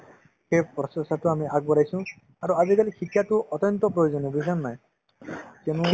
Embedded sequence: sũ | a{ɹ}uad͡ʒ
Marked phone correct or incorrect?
incorrect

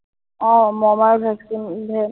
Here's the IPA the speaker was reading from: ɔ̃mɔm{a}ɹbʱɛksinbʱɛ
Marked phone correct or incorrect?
correct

